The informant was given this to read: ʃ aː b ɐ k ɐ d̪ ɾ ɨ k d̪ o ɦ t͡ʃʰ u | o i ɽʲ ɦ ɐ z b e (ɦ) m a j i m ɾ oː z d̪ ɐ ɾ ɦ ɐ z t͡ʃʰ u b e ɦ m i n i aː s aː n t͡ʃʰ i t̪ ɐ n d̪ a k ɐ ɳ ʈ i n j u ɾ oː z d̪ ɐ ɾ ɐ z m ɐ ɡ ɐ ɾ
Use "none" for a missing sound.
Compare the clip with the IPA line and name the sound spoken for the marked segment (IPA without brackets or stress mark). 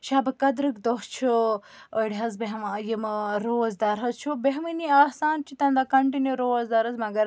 ɦ